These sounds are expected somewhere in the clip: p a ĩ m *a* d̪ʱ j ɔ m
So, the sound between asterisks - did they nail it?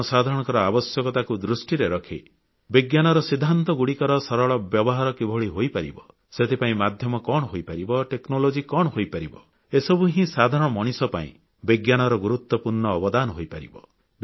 yes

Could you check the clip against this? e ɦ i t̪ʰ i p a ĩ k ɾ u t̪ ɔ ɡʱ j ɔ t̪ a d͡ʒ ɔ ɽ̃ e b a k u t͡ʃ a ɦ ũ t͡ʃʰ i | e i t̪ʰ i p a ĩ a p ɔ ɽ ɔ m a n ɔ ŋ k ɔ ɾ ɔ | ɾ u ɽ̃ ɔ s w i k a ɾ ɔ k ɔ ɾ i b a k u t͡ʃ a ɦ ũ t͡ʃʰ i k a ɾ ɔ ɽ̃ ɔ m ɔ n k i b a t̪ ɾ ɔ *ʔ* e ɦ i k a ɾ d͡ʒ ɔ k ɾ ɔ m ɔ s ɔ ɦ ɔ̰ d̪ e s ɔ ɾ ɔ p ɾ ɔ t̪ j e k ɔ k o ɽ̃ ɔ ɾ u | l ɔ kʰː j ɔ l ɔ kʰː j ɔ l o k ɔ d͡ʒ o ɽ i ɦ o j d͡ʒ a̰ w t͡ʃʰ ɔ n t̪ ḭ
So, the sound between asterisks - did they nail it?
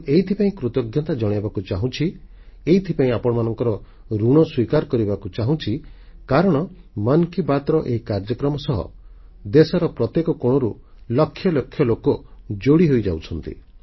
yes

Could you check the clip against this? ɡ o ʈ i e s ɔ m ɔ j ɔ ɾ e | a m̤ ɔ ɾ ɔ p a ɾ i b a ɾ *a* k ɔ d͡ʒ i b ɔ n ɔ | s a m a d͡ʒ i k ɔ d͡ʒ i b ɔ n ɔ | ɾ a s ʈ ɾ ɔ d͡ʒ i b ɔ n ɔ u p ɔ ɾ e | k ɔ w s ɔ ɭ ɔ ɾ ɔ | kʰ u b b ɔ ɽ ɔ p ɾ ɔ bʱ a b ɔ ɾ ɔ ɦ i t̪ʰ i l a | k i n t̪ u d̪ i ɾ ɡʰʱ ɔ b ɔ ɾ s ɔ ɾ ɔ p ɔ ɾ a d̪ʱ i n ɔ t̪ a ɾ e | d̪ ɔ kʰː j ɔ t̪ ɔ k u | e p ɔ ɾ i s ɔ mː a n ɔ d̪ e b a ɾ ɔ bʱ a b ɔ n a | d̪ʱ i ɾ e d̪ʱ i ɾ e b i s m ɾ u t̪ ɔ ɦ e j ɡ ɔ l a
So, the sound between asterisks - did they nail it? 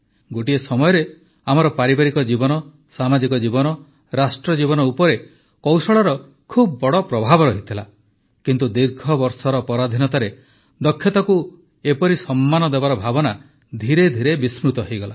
no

